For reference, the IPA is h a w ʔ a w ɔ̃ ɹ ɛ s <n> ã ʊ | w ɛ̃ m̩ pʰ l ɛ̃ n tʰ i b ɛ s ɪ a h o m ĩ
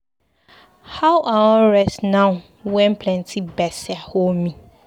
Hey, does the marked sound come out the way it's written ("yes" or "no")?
yes